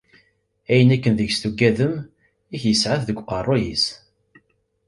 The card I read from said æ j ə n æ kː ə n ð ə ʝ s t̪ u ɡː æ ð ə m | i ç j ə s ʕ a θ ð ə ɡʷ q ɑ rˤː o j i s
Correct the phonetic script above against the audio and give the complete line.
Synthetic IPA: æ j ə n æ kː ə n ð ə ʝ s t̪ u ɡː æ ð ə m | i ç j ə s ʕ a θ ð ə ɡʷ q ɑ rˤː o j i s